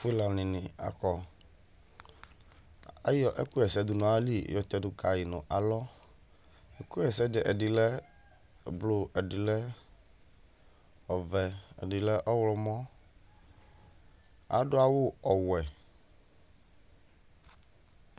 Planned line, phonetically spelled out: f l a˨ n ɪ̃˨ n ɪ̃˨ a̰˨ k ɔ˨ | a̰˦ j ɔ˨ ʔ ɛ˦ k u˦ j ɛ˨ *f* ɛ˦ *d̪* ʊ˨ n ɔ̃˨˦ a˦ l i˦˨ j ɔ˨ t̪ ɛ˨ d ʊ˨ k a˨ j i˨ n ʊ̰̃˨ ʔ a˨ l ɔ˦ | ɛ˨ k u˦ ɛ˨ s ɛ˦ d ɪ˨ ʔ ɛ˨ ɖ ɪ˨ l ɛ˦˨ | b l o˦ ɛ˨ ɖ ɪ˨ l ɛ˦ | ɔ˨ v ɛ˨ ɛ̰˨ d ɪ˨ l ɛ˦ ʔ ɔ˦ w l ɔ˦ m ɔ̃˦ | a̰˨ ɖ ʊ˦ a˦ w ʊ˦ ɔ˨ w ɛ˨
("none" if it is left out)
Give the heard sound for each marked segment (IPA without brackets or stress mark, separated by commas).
s, d̪